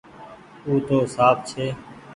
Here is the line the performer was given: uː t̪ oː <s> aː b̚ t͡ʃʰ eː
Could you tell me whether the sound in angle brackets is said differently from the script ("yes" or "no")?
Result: no